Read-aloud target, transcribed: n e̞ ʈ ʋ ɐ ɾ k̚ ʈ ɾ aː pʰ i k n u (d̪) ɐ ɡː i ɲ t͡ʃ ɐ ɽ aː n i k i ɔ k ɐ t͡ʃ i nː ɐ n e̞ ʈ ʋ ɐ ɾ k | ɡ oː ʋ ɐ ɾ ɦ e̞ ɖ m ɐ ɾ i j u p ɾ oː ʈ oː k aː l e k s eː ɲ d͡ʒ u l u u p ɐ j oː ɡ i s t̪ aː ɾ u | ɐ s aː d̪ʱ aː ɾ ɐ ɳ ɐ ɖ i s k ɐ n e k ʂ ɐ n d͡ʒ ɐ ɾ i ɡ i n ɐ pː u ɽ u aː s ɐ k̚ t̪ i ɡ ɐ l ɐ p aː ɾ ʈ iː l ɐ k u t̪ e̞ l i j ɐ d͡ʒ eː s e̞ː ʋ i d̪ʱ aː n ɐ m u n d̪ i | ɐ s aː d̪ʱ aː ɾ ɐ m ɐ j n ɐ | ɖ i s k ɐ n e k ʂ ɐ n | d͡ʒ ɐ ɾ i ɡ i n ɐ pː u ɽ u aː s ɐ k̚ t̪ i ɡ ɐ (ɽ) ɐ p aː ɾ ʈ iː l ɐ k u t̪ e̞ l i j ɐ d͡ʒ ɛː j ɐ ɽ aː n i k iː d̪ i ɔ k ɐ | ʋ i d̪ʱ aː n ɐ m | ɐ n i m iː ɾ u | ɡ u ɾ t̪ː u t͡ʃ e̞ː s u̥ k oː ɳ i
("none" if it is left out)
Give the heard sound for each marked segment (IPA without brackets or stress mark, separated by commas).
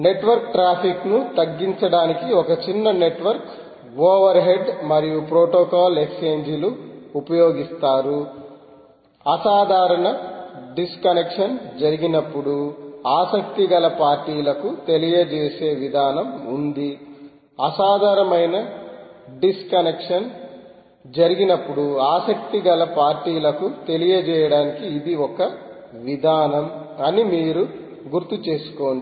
t̪, l